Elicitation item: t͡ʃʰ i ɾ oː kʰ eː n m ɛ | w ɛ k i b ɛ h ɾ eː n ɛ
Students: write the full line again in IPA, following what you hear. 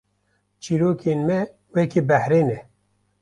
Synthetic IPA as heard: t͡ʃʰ i ɾ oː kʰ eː n m ɛ | w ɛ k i b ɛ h ɾ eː n ɛ